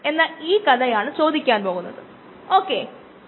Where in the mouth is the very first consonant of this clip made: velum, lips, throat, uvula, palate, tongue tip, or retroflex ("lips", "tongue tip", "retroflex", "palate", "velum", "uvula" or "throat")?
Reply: tongue tip